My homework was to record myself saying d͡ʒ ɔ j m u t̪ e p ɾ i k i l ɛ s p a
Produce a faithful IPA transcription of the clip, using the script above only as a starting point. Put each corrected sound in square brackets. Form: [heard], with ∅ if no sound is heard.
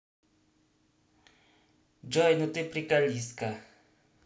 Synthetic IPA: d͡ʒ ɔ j [n] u t̪ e p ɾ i k [a] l [i] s [k] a